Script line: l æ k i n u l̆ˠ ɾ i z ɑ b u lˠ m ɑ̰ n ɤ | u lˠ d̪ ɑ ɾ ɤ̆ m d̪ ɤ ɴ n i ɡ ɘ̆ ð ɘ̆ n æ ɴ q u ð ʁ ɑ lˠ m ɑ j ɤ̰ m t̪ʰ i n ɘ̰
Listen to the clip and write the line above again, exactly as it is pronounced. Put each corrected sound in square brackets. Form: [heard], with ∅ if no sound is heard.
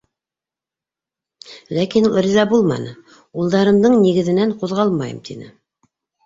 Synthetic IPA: l æ k i n u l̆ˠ ɾ i z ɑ b u lˠ m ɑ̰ n ɤ | u lˠ d̪ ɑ ɾ ɤ̆ m d̪ ɤ ɴ n i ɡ ɘ̆ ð ɘ̆ n æ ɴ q u ð ʁ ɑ lˠ m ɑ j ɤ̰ m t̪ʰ i n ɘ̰